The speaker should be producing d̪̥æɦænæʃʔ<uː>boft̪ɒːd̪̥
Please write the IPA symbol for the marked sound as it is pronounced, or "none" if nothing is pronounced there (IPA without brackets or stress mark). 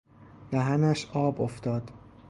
ɒː